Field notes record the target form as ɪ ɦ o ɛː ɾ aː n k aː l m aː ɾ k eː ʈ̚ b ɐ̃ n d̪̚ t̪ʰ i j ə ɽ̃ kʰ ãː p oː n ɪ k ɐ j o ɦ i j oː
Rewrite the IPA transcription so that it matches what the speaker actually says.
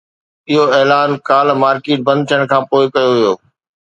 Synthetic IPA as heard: ɪ ɦ o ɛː l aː n k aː l m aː ɾ k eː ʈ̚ b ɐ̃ n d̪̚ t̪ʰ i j ə ɽ̃ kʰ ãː p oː ɪ k ɐ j o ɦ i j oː